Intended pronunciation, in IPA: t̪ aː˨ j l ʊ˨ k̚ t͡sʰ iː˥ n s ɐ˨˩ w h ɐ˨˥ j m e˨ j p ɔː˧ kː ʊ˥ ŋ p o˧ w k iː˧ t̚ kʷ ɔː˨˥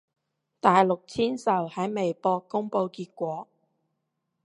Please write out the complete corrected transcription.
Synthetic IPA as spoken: t̪ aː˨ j l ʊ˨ k̚ t͡sʰ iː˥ n s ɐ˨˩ w h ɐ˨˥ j m e˨ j p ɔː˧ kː ʊ˥ ŋ p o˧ w k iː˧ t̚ kʷ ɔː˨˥